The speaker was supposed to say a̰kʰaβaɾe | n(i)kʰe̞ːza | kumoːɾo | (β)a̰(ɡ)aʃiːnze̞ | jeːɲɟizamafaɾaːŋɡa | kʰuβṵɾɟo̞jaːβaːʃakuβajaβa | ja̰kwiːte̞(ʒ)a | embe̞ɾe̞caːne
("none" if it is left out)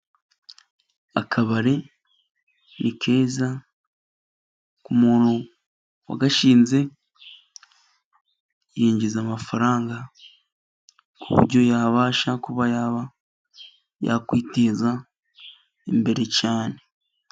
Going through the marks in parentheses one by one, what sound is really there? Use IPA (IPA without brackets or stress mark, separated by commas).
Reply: i, w, ɡ, z